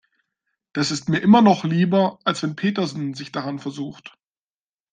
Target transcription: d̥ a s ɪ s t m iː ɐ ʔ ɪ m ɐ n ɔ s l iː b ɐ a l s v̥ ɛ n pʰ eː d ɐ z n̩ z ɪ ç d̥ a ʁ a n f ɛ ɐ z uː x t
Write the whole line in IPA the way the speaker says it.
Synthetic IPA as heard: d̥ a s ɪ s t m iː ɐ ʔ ɪ m ɐ n ɔ χ l iː b ɐ a l s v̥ ɛ n pʰ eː t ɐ z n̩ z ɪ ç d̥ a ʁ a n f ɛ ɐ z uː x t